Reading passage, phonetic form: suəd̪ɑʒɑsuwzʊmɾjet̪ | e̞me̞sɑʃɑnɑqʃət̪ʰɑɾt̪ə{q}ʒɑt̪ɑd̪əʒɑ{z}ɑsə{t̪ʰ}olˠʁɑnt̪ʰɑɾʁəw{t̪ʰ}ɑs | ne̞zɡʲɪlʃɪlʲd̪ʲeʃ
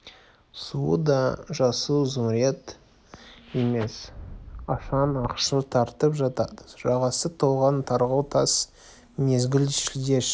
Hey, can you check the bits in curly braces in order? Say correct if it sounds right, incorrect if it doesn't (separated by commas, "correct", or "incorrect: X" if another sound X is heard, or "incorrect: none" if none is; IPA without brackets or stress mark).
incorrect: p, incorrect: ʁ, correct, correct